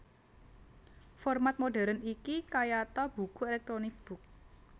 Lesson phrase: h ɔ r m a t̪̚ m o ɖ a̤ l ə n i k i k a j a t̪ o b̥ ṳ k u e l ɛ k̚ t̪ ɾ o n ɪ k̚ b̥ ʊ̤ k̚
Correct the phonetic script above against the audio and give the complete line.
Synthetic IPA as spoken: f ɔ r m a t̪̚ m o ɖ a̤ ɾ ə n i k i k a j a t̪ ɔ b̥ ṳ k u e l ɛ k̚ t̪ ɾ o n ɪ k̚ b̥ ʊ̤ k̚